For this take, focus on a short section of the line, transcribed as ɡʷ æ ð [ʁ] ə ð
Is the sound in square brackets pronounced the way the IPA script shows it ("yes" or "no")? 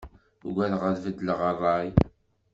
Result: yes